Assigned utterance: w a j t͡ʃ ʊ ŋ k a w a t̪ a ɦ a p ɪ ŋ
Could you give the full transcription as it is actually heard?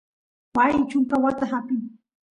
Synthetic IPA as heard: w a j t͡ʃ ʊ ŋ k a w a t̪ a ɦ a p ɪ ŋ